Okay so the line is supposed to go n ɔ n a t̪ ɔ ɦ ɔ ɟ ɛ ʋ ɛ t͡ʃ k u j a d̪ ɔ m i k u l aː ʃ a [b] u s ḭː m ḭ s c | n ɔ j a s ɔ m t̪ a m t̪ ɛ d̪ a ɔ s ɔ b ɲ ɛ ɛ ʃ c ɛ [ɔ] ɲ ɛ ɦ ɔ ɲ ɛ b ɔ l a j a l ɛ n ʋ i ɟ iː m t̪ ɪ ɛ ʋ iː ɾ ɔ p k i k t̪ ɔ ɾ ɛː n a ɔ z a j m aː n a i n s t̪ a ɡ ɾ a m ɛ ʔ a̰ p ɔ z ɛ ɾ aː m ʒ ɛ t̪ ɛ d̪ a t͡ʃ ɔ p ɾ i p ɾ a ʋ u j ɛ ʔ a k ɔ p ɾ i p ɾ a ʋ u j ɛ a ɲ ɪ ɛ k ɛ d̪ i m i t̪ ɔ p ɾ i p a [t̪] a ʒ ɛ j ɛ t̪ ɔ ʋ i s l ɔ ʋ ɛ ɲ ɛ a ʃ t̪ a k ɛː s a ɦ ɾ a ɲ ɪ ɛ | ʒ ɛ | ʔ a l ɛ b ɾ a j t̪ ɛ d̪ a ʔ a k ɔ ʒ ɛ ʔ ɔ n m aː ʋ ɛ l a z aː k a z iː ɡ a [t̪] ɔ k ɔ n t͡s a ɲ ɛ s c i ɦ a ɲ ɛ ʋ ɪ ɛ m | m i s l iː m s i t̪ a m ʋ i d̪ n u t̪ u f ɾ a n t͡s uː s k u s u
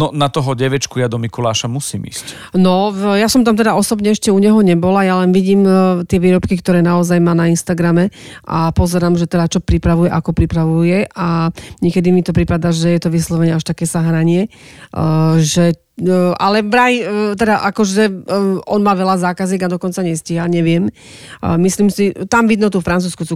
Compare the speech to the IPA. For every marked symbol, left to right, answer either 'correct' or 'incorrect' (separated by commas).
incorrect, incorrect, incorrect, incorrect